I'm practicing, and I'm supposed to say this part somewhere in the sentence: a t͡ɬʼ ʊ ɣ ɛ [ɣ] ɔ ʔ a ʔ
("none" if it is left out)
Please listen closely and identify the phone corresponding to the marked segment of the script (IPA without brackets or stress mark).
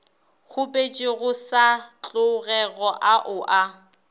ɣ